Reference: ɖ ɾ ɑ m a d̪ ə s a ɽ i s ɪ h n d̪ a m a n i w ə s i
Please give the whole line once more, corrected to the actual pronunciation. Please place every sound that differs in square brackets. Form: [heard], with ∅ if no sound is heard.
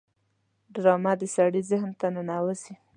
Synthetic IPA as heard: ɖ ɾ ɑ m a d̪ ə s a ɽ i [z] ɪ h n [t̪] a [n] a n [a] w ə s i